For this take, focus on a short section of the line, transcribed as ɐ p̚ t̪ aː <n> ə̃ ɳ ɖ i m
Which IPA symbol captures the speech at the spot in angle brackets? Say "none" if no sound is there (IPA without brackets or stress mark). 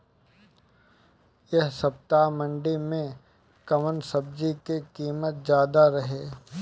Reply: m